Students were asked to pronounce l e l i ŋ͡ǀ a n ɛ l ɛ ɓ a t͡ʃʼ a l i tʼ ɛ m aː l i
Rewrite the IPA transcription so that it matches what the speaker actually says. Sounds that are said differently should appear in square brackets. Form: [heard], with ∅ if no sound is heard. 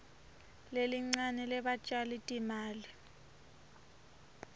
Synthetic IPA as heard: l e l i ŋ͡ǀ a n ɛ l ɛ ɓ a t͡ʃʼ a l i tʼ [i] m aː l i